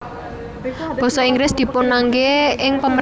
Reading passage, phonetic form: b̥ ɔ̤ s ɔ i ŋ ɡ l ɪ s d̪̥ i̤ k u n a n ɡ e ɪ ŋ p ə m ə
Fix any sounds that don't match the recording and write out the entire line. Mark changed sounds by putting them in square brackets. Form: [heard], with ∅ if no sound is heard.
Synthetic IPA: b̥ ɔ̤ s ɔ i ŋ ɡ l ɪ s d̪̥ i̤ [p] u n a [ŋ] ɡ e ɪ ŋ p ə m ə